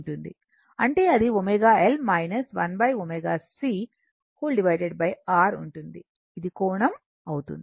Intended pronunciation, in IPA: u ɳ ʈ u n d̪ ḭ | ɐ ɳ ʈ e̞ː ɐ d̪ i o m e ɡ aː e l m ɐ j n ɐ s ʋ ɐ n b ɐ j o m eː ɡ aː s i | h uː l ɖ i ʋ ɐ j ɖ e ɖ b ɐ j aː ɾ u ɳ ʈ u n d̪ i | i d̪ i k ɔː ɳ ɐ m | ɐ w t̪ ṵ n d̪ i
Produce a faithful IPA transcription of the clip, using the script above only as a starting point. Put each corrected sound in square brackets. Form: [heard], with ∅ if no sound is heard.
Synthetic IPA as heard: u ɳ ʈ u n d̪ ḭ | ɐ ɳ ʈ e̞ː ɐ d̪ i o m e ɡ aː e l m ɐ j n ɐ s ʋ ɐ n b ɐ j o m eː ɡ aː s i | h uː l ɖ i ʋ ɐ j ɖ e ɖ b ɐ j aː ɾ u ɳ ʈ u n d̪ i | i d̪ i k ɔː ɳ ɐ m | ɐ w t̪ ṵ n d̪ i